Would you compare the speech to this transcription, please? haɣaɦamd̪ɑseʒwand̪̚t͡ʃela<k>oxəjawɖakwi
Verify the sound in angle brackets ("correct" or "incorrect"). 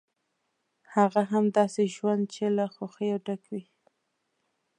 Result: incorrect